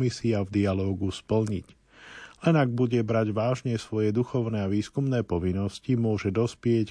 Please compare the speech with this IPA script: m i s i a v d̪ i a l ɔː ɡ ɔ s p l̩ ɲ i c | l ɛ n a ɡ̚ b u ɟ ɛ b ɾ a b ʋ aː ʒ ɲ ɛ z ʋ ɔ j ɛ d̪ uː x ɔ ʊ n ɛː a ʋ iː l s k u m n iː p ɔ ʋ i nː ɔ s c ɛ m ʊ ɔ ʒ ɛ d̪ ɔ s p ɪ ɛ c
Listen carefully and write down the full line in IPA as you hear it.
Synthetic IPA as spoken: m i s i a v d̪ i a l ɔː ɡ u s p l̩ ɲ i c | l ɛ n a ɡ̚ b u ɟ ɛ b ɾ a ɟ ʋ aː ʒ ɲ ɛ s ʋ ɔ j ɛ d̪ u x ɔ ʊ n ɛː a ʋ iː s k u m n ɛː p ɔ ʋ i nː ɔ s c i m ʊ ɔ ʒ ɛ d̪ ɔ s p ɪ ɛ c